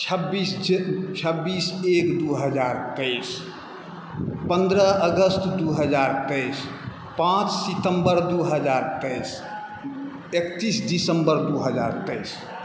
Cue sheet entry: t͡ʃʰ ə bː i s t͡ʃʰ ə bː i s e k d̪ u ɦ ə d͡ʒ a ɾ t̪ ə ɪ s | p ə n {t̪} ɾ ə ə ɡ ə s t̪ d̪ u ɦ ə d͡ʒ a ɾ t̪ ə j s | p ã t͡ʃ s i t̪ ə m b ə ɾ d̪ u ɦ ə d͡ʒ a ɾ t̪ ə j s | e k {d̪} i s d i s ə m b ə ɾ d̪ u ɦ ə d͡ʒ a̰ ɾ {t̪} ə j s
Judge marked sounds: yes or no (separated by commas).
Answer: no, no, yes